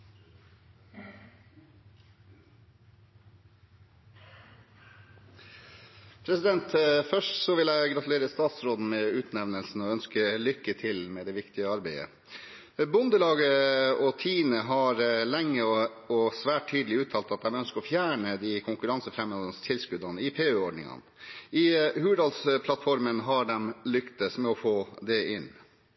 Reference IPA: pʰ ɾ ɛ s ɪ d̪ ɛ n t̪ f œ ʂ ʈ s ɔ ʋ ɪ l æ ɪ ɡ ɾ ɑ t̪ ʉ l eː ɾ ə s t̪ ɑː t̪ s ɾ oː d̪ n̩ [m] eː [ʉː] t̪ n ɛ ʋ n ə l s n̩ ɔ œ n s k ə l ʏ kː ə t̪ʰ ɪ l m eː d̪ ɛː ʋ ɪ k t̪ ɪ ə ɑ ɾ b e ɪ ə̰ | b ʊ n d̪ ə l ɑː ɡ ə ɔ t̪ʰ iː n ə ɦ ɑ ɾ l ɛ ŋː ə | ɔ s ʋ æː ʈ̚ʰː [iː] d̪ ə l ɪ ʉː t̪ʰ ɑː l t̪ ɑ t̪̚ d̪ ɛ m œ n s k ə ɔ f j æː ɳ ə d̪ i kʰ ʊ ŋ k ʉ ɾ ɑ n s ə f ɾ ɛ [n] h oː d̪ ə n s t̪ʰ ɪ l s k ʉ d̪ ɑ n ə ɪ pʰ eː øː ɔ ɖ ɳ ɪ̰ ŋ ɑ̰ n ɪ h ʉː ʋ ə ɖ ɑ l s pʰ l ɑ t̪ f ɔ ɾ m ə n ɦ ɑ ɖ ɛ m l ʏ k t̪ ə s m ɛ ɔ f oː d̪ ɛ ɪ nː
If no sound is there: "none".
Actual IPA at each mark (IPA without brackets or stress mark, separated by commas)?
m, ʉː, yː, m